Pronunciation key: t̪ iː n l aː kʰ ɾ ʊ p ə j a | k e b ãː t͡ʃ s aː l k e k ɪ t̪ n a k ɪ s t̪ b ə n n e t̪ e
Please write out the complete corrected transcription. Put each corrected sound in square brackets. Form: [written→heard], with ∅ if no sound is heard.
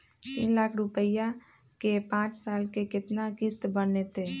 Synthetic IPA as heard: t̪ iː n l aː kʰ ɾ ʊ p ə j a | k e [b→p] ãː t͡ʃ s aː l k e k ɪ t̪ n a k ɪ s t̪ b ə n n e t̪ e